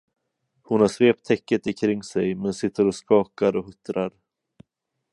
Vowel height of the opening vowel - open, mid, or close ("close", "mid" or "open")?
close